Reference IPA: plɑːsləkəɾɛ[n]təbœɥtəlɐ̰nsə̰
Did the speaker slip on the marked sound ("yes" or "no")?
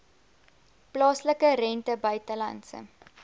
no